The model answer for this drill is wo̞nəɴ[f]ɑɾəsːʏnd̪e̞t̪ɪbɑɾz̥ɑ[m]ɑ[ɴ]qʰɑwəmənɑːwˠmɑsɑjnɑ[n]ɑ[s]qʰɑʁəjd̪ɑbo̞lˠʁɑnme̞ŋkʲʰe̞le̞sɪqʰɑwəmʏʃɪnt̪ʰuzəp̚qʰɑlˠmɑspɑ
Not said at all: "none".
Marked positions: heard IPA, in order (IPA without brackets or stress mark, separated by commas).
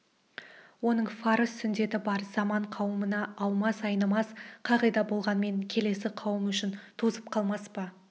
f, m, ɴ, m, s